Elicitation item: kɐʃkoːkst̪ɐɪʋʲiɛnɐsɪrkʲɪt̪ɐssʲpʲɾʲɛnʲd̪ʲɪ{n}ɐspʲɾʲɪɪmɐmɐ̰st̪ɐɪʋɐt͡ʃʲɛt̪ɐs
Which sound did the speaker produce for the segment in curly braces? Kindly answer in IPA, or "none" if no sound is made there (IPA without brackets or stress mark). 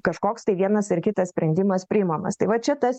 m